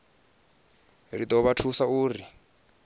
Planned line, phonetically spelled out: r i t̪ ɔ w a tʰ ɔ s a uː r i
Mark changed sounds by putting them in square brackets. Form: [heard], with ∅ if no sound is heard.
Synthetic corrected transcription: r i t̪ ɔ [β] a tʰ [u] s a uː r i